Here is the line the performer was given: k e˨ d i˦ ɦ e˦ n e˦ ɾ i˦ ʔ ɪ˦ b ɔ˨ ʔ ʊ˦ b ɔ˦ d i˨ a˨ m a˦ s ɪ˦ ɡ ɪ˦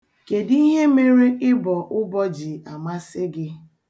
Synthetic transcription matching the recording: k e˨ d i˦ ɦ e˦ m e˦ ɾ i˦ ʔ ɪ˦ b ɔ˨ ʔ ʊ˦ b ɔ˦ d͡ʒ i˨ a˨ m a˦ s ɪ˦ ɡ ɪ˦